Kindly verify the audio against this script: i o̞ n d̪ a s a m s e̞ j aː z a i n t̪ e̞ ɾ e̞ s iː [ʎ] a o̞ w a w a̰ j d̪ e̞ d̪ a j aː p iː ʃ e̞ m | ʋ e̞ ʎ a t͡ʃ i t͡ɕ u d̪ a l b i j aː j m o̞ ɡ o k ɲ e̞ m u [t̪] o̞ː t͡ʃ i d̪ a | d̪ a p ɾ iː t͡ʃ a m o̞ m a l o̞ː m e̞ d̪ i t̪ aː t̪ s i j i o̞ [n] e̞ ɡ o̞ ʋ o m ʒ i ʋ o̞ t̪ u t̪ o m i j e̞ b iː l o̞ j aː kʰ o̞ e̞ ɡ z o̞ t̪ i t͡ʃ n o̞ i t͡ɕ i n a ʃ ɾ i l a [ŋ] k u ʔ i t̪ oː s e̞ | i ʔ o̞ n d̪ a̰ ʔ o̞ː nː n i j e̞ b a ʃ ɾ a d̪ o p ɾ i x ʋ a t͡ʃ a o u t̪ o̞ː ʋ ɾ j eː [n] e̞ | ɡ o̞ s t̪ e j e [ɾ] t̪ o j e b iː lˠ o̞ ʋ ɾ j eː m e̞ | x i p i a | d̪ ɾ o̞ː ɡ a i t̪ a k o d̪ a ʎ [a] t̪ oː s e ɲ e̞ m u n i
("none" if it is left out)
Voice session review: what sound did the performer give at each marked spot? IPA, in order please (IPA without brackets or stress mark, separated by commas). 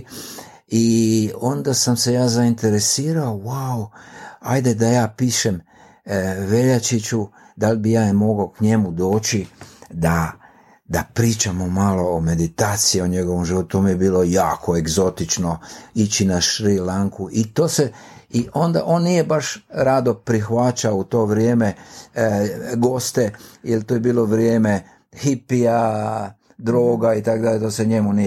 ɾ, d̪, ɲ, ŋ, m, l, e